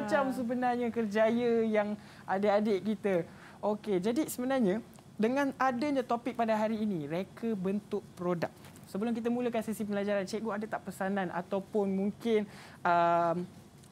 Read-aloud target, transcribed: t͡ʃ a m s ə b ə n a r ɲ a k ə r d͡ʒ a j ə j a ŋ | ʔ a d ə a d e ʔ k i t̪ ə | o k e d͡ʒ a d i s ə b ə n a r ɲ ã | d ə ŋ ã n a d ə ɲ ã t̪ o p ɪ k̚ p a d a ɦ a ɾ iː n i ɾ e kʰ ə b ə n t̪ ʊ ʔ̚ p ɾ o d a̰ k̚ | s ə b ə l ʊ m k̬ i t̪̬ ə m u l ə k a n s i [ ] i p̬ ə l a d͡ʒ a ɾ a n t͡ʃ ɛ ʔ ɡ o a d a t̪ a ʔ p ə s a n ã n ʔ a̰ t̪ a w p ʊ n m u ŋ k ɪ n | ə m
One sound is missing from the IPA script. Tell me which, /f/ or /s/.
s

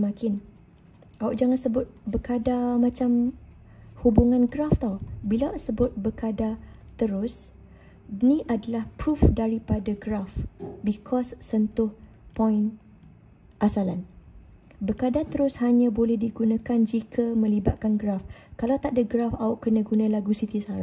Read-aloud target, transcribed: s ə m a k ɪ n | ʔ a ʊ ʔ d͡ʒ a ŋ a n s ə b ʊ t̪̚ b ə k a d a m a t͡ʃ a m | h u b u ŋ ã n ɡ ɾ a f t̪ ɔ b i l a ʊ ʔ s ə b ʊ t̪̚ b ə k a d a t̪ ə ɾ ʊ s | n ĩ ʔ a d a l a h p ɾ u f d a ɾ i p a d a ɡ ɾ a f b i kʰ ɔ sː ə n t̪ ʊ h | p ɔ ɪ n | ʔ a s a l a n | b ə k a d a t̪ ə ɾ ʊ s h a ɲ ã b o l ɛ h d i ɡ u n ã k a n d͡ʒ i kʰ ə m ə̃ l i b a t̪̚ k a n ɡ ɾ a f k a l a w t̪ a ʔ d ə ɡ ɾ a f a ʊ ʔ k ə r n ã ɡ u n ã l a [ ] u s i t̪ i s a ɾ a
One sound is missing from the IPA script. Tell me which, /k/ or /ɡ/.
ɡ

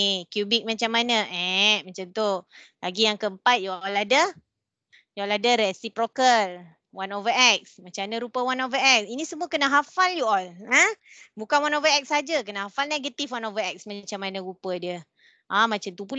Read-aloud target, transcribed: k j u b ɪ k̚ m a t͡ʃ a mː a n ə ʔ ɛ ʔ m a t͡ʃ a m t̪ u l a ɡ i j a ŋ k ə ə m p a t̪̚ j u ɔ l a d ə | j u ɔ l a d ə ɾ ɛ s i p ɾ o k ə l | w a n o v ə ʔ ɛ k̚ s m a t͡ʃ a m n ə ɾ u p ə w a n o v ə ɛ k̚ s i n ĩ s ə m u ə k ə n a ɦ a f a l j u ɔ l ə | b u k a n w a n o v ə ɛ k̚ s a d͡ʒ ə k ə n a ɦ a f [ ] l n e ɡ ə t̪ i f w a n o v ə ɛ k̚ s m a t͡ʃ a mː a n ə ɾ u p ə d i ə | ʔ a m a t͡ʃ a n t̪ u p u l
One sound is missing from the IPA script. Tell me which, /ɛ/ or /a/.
a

